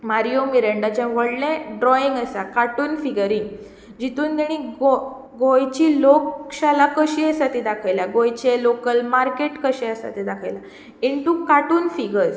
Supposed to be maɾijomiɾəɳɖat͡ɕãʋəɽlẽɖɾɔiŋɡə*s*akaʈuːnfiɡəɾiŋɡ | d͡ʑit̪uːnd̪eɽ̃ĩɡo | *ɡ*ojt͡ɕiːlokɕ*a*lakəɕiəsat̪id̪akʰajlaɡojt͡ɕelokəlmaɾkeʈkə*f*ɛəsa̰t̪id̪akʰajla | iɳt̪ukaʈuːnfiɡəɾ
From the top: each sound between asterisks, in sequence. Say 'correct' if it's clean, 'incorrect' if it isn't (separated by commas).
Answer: correct, correct, correct, incorrect